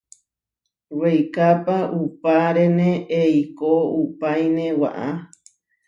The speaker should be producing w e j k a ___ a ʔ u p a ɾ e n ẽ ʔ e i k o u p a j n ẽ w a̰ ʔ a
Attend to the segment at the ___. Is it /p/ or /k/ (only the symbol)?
p